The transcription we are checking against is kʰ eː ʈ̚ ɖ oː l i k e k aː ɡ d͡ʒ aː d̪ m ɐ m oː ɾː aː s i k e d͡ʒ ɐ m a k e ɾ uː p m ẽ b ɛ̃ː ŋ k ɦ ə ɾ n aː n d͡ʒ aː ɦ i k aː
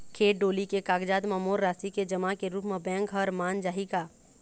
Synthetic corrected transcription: kʰ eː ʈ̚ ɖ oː l i k e k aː ɡ d͡ʒ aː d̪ m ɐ m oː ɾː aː s i k e d͡ʒ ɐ m a k e ɾ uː p m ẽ b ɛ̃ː ŋ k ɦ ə ɾ m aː n d͡ʒ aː ɦ i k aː